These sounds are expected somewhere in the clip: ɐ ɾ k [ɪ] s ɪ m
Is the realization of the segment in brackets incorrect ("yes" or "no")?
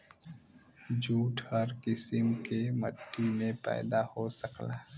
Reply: no